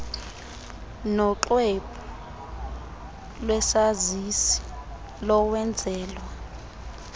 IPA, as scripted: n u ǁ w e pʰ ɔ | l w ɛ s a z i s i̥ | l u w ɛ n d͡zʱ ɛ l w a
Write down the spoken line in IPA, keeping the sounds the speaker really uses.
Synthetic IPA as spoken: n ɔ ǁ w e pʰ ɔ | l w ɛ s a z i s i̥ | l ɔ w ɛ n d͡zʱ ɛː l w a